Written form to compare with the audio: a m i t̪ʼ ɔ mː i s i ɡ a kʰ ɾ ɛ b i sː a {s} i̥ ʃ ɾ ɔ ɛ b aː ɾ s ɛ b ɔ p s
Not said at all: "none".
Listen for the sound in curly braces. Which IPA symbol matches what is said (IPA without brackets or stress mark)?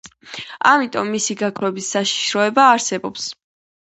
ʃ